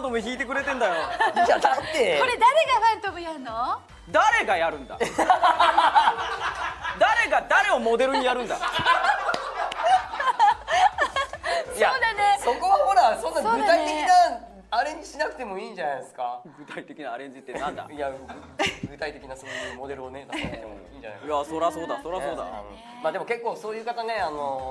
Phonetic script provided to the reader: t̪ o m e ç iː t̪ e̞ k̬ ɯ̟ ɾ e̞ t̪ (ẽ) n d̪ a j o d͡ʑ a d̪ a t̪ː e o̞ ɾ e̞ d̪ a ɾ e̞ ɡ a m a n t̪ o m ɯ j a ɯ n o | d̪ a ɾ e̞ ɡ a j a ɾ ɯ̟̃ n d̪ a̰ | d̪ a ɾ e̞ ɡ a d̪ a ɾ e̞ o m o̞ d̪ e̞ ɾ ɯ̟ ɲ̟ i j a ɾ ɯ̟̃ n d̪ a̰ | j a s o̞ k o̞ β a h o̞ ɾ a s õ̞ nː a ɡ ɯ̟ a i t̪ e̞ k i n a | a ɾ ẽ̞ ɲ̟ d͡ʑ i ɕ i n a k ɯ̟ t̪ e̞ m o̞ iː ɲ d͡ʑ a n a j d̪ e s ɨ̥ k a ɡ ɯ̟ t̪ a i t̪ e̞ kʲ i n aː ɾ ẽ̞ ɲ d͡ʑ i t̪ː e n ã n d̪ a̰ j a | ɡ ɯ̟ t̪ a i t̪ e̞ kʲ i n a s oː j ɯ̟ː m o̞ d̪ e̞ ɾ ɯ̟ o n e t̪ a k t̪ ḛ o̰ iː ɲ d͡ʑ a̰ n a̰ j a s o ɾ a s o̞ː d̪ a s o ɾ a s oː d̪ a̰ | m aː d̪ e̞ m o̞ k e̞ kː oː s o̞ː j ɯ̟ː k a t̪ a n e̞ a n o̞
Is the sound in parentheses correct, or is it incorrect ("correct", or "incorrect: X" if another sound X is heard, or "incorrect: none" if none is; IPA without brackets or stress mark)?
correct